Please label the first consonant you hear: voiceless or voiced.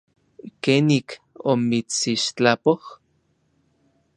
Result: voiceless